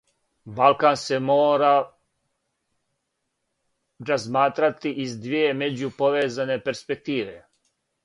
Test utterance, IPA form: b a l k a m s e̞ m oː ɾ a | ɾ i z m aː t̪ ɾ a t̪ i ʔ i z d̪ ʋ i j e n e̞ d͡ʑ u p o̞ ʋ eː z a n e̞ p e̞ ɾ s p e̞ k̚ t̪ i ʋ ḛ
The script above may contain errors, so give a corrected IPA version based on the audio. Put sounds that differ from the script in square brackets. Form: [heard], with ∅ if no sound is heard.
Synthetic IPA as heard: b a l k a [n] s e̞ m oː ɾ a | ɾ [a] z m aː t̪ ɾ a t̪ i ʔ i z d̪ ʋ i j e [m] e̞ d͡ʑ u p o̞ ʋ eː z a n e̞ p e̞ ɾ s p e̞ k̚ t̪ [iː] ʋ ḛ